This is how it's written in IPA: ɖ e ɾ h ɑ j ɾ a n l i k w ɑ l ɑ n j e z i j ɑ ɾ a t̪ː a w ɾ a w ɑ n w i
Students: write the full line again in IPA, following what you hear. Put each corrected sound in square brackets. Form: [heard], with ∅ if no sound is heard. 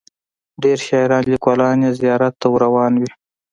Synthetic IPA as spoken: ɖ e ɾ [ʃ] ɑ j ɾ [ɑ] n l i k w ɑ l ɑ n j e z i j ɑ ɾ a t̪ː a w ɾ a w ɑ n w i